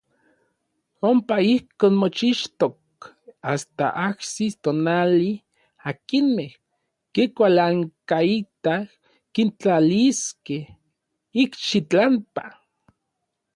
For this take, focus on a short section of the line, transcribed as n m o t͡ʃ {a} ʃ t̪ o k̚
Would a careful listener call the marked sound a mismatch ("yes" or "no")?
yes